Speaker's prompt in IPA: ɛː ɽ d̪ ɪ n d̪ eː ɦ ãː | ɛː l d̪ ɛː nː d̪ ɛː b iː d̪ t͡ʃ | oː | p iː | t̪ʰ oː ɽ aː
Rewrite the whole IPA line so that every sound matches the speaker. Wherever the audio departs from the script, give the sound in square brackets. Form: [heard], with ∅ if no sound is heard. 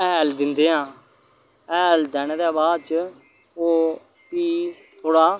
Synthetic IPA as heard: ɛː [l] d̪ ɪ n d̪ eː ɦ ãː | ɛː l d̪ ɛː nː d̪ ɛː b [aː] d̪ t͡ʃ | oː | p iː | t̪ʰ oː ɽ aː

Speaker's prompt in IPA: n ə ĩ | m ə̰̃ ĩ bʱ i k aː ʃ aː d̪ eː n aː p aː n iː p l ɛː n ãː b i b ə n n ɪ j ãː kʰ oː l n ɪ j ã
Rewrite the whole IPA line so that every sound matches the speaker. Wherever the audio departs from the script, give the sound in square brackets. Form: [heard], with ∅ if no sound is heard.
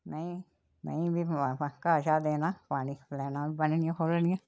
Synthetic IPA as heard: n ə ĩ | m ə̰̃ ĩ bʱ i k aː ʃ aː d̪ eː n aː p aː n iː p l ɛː n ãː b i b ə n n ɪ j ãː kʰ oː l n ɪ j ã

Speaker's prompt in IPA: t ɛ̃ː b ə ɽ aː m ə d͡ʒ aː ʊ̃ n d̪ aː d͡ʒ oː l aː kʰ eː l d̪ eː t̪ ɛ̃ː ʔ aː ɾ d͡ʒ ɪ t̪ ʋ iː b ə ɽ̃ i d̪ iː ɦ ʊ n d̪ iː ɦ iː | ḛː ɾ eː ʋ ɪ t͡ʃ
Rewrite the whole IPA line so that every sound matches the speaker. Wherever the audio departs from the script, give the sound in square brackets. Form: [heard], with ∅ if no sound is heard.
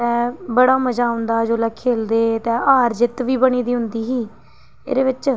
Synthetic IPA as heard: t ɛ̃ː b ə ɽ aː m ə d͡ʒ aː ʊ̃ n d̪ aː d͡ʒ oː l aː kʰ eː l d̪ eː t̪ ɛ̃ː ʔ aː ɾ d͡ʒ ɪ t̪ ʋ iː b ə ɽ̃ [iː] d̪ iː ɦ ʊ n d̪ iː ɦ iː | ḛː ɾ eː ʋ ɪ t͡ʃ

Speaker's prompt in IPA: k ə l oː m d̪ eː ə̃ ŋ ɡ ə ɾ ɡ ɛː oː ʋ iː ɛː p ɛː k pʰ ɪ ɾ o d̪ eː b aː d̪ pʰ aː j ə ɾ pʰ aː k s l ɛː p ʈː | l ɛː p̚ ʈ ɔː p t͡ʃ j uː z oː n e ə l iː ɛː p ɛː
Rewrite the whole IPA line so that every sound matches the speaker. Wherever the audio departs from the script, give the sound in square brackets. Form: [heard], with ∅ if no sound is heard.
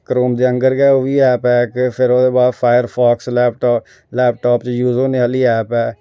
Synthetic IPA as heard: k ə [ɾ] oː m d̪ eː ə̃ ŋ ɡ ə ɾ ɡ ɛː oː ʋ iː ɛː p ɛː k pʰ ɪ ɾ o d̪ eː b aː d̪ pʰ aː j ə ɾ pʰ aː k s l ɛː p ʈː | l ɛː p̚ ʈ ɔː p t͡ʃ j uː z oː n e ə l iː ɛː p ɛː

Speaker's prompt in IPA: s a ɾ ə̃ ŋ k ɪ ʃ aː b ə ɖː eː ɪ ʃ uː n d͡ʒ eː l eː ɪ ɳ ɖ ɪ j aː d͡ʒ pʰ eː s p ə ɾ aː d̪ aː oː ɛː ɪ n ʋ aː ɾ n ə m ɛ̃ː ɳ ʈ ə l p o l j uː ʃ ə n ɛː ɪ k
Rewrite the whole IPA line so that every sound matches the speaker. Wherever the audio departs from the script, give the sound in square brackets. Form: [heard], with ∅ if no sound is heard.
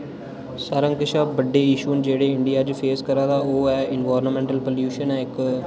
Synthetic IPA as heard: s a ɾ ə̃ ŋ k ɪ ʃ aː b ə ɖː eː ɪ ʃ uː n d͡ʒ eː [ɽ] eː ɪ ɳ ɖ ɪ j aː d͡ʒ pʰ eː s [k] ə ɾ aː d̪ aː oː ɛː ɪ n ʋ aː ɾ n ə m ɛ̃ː ɳ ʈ ə l p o l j uː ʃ ə n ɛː ɪ k

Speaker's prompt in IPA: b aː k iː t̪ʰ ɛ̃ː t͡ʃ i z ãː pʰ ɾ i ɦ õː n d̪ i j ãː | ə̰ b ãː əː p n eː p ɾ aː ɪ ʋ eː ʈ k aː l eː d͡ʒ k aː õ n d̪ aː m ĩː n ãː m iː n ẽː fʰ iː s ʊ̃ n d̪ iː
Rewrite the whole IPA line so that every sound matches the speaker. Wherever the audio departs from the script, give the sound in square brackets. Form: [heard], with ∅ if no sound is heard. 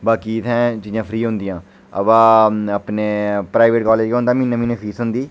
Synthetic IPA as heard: b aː k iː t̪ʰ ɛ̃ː t͡ʃ [iː] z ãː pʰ ɾ [iː] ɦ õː n d̪ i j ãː | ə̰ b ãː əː p n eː p ɾ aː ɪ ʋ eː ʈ k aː l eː d͡ʒ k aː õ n d̪ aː m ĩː n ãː m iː n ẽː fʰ iː s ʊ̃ n d̪ iː

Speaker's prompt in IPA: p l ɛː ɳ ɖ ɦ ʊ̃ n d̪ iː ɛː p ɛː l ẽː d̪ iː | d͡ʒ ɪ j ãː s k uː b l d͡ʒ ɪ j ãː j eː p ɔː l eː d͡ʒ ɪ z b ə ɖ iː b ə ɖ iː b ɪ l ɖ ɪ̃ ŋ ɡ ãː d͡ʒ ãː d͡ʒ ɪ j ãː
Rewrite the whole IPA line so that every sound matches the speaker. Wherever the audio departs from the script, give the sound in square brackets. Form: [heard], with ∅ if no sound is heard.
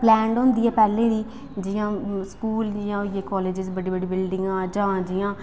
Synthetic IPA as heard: p l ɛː ɳ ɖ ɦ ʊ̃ n d̪ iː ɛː p ɛː l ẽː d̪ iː | d͡ʒ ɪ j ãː s k uː [∅] l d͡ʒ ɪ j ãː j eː [k] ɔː l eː d͡ʒ ɪ z b ə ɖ iː b ə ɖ iː b ɪ l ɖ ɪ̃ ŋ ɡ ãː d͡ʒ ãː d͡ʒ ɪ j ãː

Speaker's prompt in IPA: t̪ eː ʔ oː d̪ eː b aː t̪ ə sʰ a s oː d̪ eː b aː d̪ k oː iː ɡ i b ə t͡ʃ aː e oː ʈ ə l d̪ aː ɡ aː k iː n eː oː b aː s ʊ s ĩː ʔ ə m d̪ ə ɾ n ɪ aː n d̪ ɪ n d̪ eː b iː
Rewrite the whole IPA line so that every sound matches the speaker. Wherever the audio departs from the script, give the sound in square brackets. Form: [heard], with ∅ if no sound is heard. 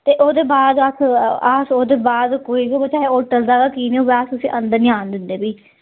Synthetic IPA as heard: t̪ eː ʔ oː d̪ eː b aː [d̪] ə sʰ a s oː d̪ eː b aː d̪ k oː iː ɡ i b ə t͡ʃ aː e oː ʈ ə l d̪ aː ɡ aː k iː n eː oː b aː s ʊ s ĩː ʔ ə [n] d̪ ə ɾ n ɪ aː n d̪ ɪ n d̪ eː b iː

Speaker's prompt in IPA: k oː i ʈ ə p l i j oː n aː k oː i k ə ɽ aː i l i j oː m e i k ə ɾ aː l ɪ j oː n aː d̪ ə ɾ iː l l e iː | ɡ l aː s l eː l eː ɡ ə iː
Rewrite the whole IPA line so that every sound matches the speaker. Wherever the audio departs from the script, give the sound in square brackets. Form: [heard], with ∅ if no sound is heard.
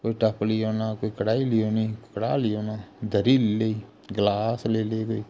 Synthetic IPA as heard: k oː i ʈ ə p l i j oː n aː k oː i k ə ɽ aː i l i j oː [n] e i k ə [ɽ] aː l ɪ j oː n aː d̪ ə ɾ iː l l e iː | ɡ l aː s l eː l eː ɡ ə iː

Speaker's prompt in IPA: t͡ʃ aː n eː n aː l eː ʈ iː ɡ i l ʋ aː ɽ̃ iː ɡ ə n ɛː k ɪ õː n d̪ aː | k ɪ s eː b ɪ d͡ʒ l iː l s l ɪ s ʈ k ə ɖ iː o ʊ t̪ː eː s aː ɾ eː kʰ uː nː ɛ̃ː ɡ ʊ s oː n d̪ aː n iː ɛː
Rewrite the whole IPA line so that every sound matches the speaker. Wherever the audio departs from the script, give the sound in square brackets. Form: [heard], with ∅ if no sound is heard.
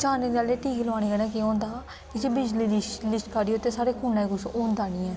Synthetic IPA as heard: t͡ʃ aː n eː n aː l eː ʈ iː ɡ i l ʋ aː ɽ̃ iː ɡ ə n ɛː k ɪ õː n d̪ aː | k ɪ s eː b ɪ d͡ʒ l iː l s l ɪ s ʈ k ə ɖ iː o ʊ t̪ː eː s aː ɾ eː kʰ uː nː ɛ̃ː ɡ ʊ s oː n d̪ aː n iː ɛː

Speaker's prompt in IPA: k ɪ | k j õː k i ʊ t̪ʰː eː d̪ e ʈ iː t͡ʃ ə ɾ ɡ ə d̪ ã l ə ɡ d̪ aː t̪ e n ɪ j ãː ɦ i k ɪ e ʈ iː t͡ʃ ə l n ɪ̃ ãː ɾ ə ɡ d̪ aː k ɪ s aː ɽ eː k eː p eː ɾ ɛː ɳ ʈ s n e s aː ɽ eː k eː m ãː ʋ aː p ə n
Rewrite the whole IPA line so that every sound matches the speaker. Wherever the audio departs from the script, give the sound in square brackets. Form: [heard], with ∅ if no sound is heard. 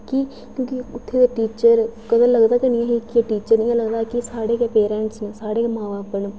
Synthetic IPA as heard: k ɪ | k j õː k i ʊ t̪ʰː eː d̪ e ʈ iː t͡ʃ ə ɾ [k] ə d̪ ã l ə ɡ d̪ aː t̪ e n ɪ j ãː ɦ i k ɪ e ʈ iː t͡ʃ ə [ɾ] n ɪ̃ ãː [l] ə ɡ d̪ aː k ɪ s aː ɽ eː k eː p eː ɾ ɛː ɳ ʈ s n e s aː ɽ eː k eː m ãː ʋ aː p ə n

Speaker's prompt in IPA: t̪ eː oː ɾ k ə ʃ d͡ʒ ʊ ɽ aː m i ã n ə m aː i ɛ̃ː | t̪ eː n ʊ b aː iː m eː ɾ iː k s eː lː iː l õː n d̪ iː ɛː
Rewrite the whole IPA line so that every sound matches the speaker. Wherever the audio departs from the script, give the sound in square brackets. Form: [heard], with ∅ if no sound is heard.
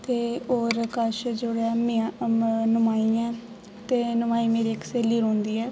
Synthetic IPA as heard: t̪ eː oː ɾ k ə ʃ d͡ʒ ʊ ɽ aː m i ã n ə m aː i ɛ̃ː | t̪ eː n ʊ [m] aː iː m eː ɾ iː k s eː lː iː [ɾ] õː n d̪ iː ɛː

